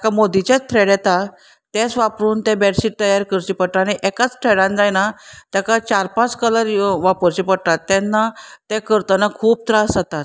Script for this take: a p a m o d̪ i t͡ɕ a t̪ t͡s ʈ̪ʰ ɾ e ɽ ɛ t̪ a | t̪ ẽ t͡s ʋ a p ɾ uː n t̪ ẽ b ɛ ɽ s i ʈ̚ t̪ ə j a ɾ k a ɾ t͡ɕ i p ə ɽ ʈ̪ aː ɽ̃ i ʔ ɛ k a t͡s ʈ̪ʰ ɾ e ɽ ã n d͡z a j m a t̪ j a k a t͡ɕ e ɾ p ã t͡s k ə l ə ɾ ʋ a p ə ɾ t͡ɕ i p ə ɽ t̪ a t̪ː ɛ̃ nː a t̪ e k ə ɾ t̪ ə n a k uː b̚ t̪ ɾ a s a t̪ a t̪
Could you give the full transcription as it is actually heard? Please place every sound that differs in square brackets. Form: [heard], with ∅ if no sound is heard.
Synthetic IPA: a [k] a m o d̪ i t͡ɕ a [∅] t͡s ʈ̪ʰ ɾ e ɽ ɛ t̪ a | t̪ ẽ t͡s ʋ a p ɾ uː n t̪ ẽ b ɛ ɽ s i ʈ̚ t̪ ə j a ɾ k [ə] ɾ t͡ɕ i p ə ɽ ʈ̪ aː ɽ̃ i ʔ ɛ k a t͡s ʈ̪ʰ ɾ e ɽ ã n d͡z a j [n] a t̪ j a k a t͡ɕ [a] ɾ p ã t͡s k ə l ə ɾ ʋ a p ə ɾ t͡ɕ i p ə ɽ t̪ a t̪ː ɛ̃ nː a t̪ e k ə ɾ t̪ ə n a [kʰ] uː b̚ t̪ ɾ a s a t̪ a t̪

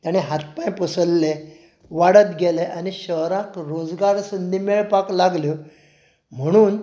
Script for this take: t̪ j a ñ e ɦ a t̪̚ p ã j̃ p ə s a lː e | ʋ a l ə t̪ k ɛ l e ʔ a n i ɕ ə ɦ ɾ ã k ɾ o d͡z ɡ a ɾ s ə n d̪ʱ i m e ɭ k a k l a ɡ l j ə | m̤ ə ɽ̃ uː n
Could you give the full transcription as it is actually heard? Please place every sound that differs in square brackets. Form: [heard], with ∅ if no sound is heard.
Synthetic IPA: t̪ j a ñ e ɦ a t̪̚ p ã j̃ p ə s [ə] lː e | ʋ a [ɽ] ə t̪ [ɡ] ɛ l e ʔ a n i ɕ ə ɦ ɾ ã k ɾ o d͡z ɡ a ɾ s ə n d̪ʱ i m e ɭ [p] a k l a ɡ l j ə | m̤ ə ɽ̃ uː n

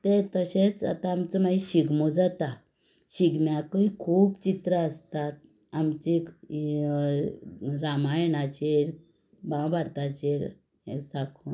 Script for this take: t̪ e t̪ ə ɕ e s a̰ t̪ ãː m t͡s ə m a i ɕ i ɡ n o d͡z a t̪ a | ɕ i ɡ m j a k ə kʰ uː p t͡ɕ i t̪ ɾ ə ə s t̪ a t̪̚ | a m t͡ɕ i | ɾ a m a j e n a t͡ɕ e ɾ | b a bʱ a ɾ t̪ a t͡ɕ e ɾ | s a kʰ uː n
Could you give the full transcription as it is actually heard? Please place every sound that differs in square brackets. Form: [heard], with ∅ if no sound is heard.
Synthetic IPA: t̪ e t̪ ə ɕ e [t͡s] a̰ t̪ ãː m t͡s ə m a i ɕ i ɡ [m] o d͡z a t̪ a | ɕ i ɡ m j a k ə kʰ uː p t͡ɕ i t̪ ɾ ə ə s t̪ a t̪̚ | a m t͡ɕ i | ɾ a m a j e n a t͡ɕ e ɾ | b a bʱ a ɾ t̪ a t͡ɕ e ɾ | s a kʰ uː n

